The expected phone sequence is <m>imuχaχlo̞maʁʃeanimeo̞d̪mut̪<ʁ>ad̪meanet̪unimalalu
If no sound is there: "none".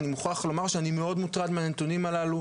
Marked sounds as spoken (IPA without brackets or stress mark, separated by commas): n, ʁ